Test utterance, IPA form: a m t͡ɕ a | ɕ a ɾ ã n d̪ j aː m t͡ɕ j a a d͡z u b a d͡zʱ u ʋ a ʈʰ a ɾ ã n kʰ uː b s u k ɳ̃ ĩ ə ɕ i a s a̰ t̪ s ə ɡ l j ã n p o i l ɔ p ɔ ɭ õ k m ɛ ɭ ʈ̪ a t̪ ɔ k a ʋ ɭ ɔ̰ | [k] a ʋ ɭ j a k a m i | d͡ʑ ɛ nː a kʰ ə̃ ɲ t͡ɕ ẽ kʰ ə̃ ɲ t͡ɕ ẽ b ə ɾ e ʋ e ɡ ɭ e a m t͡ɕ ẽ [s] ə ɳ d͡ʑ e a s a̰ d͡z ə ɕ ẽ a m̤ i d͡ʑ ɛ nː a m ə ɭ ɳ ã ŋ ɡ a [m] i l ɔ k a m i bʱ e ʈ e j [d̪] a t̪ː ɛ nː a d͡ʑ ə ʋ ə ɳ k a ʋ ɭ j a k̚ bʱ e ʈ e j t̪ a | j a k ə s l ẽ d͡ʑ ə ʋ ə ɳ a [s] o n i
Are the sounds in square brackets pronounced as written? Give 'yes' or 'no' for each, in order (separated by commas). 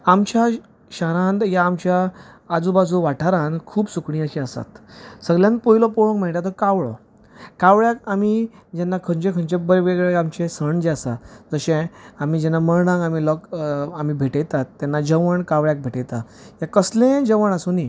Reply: yes, yes, yes, no, yes